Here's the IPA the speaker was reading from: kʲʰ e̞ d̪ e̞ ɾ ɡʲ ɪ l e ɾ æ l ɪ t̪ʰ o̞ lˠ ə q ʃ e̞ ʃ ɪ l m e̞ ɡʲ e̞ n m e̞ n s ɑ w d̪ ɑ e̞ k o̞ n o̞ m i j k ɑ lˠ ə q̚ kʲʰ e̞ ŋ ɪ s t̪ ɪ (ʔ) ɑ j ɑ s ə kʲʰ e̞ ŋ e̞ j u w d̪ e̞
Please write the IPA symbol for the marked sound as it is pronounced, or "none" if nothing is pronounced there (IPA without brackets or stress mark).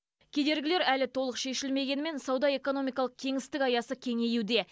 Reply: k